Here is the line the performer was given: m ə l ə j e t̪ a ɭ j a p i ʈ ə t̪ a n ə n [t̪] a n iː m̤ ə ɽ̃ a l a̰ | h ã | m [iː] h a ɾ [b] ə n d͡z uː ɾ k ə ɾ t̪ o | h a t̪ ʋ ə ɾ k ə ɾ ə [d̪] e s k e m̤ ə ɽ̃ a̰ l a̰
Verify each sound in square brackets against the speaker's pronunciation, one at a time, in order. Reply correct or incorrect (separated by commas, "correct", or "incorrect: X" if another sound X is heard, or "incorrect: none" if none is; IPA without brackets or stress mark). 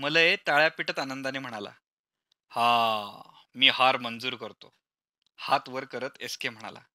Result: incorrect: d̪, correct, incorrect: m, incorrect: t̪